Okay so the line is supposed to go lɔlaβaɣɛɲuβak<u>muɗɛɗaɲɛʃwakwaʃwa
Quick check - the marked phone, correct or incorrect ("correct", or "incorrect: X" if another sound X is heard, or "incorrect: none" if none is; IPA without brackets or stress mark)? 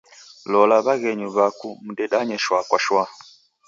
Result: correct